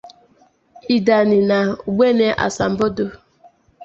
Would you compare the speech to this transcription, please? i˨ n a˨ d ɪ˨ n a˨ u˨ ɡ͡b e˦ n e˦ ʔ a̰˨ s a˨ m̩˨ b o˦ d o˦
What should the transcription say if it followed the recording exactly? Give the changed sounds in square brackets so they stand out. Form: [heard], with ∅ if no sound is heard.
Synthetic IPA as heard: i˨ [d] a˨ [n] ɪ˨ n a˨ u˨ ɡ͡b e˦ n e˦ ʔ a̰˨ s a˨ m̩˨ b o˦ d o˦